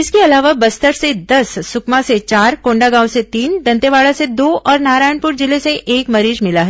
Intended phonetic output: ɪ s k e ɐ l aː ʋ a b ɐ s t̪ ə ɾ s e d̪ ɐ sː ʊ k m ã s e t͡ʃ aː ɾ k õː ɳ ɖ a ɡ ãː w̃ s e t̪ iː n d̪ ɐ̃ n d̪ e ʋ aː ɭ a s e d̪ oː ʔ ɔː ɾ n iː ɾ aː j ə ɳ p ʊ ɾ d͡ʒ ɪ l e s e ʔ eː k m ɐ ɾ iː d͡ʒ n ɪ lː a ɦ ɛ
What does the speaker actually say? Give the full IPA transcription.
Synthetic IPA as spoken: ɪ s k e ɐ l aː ʋ a b ɐ s t̪ ə ɾ s e d̪ ɐ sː ʊ k m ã s e t͡ʃ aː ɾ k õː ɳ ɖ a ɡ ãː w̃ s e t̪ iː n d̪ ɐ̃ n t̪ e ʋ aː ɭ a s e d̪ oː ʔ ɔː ɾ n aː ɾ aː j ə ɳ p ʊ ɾ d͡ʒ ɪ l e s e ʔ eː k m ɐ ɾ iː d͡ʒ m ɪ l a ɦ ɛ